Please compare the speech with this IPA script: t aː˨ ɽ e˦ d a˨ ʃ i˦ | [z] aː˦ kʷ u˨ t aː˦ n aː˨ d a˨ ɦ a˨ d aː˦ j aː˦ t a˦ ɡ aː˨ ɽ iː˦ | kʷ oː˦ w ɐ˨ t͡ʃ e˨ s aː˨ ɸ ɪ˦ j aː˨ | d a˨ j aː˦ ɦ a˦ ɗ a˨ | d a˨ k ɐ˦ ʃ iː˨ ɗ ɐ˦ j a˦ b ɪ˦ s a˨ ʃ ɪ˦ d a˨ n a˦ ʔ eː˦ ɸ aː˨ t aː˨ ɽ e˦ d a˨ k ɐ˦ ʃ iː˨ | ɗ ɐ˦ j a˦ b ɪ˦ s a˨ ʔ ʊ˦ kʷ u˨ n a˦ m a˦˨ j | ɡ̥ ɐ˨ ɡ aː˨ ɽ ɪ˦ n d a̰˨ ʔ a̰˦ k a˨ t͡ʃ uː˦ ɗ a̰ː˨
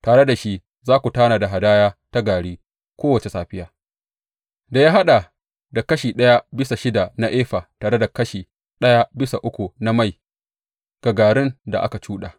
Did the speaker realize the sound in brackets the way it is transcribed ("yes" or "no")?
yes